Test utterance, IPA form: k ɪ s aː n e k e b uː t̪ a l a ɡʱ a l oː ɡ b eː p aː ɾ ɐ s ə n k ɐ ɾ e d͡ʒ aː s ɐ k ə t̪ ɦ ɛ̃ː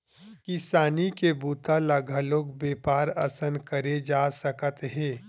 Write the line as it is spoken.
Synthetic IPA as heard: k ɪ s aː n i k e b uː t̪ a l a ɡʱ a l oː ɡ b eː p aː ɾ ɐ s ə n k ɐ ɾ e d͡ʒ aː s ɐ k ə t̪ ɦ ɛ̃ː